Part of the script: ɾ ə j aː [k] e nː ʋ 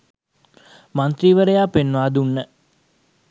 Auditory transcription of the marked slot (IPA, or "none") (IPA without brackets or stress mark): p